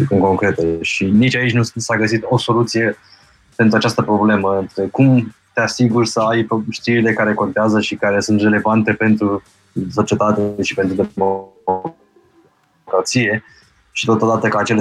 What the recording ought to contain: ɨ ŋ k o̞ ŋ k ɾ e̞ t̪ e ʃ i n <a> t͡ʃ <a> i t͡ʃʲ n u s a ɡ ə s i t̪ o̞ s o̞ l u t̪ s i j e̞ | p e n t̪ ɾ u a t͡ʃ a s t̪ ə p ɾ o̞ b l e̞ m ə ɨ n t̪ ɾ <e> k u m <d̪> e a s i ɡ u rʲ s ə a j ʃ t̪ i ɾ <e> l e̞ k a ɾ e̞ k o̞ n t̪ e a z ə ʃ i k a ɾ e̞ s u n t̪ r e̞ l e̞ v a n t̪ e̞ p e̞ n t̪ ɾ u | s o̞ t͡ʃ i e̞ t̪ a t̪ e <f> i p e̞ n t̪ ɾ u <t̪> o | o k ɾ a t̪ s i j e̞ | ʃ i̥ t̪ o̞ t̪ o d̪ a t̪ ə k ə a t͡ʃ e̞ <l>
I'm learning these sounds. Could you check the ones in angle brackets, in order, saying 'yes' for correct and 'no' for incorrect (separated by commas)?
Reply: no, yes, yes, no, no, no, no, yes